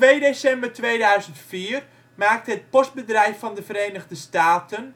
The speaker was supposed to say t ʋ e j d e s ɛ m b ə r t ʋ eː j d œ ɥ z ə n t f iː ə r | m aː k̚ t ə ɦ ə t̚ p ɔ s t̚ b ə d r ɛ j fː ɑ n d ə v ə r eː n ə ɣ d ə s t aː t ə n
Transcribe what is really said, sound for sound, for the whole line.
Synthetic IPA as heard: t ʋ e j d e s ɛ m b ə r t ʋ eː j d œ ɥ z ə n t f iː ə r | m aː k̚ t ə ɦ ə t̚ p ɔ s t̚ b ə d r ɛ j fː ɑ n d ə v ə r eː n ə ɣ d ə s t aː t ə n